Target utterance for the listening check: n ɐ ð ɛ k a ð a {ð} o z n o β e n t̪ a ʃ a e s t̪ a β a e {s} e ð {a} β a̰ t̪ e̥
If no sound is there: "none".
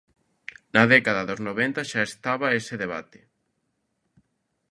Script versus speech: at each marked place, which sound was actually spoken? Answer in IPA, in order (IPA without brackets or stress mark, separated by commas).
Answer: ð, s, e